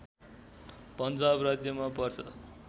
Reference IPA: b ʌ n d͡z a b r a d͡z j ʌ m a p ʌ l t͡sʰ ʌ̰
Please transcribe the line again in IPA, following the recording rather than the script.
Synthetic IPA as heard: p ʌ n d͡z a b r a d͡z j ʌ m a p ʌ r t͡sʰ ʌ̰